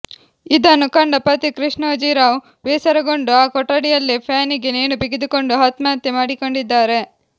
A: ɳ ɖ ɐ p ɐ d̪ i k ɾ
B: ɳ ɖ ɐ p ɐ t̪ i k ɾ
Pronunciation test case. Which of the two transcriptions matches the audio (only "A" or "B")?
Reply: B